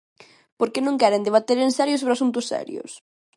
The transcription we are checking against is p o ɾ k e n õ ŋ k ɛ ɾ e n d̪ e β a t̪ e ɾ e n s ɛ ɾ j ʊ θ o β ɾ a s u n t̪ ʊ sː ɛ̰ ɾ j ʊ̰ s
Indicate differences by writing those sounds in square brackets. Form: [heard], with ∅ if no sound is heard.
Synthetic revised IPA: p o ɾ k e n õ ŋ k ɛ ɾ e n d̪ e β a t̪ e ɾ e n s ɛ ɾ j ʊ [s] o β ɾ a s u n t̪ ʊ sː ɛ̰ ɾ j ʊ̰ s

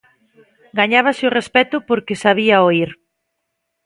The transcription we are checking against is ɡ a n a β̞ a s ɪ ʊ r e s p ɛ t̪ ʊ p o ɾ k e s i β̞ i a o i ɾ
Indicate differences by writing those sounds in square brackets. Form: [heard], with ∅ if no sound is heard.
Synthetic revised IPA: ɡ a [ɲ] a β̞ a s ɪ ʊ r e s p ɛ t̪ ʊ p o ɾ k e s [a] β̞ i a o i ɾ

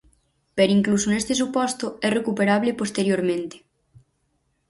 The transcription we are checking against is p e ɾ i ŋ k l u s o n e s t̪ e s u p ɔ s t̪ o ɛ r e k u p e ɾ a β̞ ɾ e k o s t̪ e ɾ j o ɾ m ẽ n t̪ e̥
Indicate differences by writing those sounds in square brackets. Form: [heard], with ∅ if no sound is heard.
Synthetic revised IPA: p e ɾ i ŋ k l u s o n e s t̪ e s u p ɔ s t̪ o ɛ r e k u p e ɾ a β̞ [l] e [p] o s t̪ e ɾ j o ɾ m ẽ n t̪ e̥

